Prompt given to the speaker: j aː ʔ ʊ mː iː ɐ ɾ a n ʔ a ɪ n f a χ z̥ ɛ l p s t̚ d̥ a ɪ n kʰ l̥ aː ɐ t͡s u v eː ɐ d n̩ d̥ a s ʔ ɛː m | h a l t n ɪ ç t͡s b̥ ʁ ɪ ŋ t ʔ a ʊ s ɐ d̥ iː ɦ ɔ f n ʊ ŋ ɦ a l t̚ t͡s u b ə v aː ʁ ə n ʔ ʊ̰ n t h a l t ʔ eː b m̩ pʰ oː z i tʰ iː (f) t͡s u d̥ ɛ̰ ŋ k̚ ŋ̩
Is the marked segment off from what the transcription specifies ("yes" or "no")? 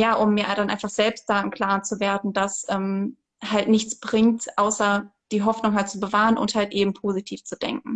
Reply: no